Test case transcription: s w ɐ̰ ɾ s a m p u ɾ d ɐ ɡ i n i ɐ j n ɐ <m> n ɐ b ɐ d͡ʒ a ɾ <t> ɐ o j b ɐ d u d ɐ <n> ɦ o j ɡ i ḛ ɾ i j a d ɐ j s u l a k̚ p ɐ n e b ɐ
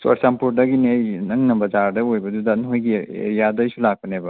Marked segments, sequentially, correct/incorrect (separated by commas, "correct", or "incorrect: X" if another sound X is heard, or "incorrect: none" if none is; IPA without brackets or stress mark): incorrect: ŋ, incorrect: d, correct